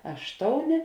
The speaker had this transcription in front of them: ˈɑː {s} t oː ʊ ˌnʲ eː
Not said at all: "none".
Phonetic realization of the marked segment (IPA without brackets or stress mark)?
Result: ʃ